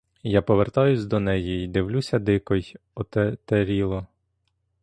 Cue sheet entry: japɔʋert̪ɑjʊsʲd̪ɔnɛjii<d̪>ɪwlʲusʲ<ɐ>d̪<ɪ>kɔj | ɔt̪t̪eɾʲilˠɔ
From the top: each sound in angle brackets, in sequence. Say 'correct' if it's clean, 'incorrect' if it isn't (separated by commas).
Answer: correct, correct, correct